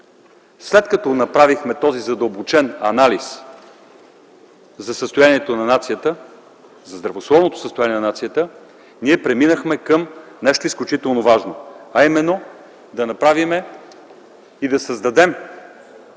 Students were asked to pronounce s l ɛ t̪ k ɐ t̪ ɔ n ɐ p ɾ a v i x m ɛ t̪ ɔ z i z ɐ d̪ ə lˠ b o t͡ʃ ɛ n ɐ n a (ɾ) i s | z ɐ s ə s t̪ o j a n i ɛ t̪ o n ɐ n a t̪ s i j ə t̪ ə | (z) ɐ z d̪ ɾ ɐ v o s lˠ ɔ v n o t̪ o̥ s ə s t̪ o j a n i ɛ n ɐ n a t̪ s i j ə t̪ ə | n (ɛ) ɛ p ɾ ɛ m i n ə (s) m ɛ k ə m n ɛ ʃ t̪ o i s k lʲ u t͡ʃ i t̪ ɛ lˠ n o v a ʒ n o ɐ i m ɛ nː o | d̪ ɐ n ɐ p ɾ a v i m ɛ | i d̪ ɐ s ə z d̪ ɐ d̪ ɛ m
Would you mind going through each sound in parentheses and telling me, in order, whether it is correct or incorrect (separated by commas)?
incorrect, correct, incorrect, incorrect